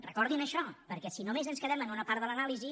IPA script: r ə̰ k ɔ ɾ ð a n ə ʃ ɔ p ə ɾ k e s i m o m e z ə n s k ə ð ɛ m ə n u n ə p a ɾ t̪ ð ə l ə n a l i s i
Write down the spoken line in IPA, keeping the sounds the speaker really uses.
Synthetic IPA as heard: r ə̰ k ɔ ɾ ð i n ə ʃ ɔ p ə ɾ k ɛ s i n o m e z ə n s k ə ð ɛ m ə n u n ə p a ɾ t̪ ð ə l ə n a l i z i